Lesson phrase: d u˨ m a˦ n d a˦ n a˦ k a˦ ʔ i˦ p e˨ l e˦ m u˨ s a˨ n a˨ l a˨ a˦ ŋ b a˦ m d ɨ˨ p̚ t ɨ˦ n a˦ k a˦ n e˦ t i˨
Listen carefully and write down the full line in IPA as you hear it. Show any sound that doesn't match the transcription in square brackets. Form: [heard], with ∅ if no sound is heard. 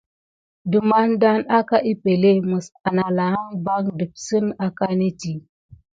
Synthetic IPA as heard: d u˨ m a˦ n d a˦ n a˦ k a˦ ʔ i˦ p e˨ l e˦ m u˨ s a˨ n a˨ l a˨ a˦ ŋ b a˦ [ŋ] d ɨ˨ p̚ [s] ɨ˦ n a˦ k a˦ n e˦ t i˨